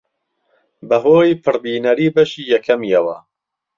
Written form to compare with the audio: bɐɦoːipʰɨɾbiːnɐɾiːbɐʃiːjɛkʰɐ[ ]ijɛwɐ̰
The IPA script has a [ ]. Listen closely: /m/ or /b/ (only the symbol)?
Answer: m